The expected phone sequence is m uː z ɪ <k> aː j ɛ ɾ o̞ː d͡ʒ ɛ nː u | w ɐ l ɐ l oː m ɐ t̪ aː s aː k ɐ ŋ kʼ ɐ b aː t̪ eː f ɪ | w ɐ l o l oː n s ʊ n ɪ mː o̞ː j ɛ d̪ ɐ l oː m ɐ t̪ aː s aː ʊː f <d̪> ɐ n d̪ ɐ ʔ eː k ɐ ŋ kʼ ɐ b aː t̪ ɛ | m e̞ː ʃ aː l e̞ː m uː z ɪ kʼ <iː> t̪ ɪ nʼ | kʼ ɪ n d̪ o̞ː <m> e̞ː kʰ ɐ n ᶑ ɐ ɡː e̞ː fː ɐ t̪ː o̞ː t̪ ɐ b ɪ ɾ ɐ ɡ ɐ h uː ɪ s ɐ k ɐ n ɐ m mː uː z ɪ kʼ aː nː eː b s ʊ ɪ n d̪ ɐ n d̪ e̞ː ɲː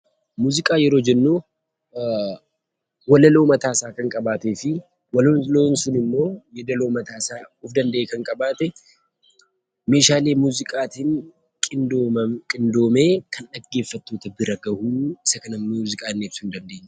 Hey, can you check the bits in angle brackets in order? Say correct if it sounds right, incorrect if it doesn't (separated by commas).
incorrect, correct, incorrect, correct